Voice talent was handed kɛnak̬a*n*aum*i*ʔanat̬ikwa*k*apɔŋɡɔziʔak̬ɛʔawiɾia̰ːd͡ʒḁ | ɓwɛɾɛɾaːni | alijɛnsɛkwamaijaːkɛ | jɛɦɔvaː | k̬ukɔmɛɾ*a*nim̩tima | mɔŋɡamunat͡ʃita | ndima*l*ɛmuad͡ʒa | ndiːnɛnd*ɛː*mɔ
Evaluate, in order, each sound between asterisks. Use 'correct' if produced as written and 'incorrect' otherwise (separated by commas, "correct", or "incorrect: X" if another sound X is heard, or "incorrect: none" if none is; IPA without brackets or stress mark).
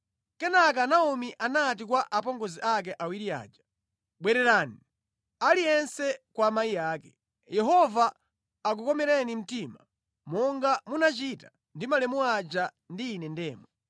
correct, correct, incorrect: ʔ, incorrect: ɛ, correct, correct